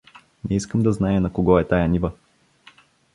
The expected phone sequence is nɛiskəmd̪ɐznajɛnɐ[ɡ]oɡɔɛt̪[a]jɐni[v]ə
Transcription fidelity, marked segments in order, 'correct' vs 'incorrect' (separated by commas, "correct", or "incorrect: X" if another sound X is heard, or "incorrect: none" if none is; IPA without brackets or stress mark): incorrect: k, correct, correct